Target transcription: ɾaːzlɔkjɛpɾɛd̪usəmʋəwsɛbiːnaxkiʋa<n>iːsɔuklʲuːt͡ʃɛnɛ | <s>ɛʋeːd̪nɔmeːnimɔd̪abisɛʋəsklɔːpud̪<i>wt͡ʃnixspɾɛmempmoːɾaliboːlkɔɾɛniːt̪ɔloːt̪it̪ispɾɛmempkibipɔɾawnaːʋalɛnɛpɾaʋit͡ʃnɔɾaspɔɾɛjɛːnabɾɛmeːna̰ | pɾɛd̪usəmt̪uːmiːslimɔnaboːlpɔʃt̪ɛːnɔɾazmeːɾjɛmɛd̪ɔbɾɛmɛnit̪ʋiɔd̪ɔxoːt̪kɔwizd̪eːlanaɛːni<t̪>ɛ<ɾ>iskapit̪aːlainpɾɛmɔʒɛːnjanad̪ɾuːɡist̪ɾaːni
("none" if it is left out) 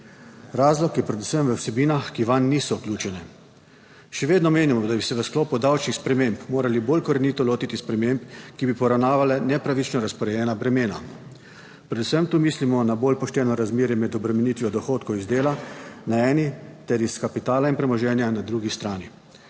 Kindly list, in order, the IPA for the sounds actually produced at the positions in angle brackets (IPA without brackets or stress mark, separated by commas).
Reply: nː, ʃ, a, t̪, ɾ